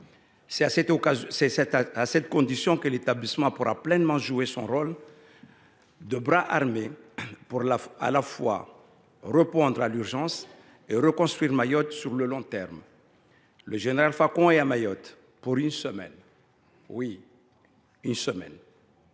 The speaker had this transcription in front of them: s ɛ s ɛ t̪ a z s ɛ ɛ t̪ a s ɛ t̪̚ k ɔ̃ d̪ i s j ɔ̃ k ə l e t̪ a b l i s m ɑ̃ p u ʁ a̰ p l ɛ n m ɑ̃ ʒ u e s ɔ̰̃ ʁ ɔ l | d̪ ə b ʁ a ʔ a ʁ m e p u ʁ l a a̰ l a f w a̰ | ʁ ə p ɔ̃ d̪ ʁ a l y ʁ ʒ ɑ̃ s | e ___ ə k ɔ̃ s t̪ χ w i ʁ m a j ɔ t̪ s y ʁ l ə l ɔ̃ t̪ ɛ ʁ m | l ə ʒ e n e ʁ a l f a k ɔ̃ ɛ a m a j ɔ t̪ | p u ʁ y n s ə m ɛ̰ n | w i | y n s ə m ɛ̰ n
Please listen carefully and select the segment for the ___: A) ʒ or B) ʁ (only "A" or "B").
B